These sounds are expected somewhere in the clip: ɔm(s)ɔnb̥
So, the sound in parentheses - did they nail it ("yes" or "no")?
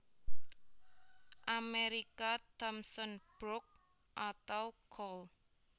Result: yes